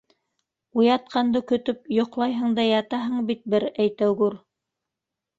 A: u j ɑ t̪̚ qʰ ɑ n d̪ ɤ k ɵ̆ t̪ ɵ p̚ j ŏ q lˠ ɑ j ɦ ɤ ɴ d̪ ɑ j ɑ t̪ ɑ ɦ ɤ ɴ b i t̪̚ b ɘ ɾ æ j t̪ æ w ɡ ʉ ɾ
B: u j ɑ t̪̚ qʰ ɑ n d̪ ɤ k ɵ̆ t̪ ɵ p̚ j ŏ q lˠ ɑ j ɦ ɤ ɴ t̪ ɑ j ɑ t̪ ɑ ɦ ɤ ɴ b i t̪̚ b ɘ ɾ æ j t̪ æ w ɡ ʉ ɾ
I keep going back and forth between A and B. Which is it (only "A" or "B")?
A